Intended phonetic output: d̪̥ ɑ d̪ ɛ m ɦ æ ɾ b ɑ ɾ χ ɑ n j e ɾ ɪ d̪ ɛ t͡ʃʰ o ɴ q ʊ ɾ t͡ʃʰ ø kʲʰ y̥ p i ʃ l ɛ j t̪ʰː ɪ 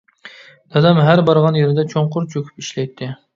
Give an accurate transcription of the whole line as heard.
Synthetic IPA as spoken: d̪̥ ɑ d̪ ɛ m ɦ æ ɾ b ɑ ɾ ʁ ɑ n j e ɾ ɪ d̪ ɛ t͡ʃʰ o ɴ q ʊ ɾ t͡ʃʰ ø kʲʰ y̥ p i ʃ l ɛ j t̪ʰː ɪ